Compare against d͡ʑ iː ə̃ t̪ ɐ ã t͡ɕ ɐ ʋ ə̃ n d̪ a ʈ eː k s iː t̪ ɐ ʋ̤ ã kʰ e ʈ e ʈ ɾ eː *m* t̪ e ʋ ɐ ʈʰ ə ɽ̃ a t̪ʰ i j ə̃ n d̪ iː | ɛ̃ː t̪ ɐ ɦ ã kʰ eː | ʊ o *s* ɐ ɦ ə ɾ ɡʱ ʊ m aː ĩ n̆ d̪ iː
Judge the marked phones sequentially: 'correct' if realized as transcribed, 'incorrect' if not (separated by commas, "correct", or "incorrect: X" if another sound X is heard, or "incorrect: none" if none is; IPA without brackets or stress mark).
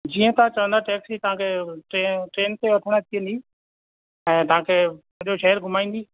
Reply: incorrect: n, incorrect: ʃ